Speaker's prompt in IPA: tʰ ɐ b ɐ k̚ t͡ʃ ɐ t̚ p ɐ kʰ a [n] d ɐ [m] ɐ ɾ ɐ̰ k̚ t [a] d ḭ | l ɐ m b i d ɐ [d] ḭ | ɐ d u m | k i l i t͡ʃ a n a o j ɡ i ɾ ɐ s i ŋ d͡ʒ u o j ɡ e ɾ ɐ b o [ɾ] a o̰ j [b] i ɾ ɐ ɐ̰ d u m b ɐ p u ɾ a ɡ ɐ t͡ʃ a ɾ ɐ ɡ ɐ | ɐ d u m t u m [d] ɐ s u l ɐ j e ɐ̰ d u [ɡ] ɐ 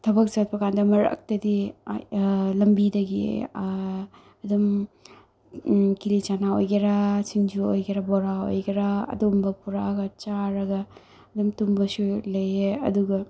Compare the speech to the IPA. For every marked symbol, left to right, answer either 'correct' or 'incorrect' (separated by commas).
correct, correct, incorrect, incorrect, correct, incorrect, incorrect, correct